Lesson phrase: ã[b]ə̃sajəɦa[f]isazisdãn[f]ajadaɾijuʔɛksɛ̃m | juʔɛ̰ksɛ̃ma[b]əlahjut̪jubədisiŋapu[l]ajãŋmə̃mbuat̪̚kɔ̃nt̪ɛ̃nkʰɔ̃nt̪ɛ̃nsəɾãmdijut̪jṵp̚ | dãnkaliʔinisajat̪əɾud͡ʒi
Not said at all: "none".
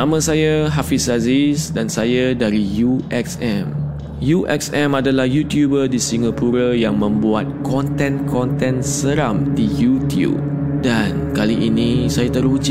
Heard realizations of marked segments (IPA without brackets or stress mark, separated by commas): m, f, s, d, ɾ